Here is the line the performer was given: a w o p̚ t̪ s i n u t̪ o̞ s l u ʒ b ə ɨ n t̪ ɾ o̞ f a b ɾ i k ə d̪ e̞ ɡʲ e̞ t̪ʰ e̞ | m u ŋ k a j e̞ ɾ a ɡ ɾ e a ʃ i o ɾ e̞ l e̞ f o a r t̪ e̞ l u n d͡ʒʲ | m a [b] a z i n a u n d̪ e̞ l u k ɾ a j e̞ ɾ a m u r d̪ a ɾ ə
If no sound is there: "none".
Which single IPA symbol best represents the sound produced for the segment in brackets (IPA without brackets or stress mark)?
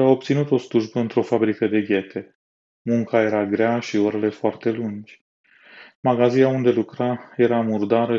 ɡ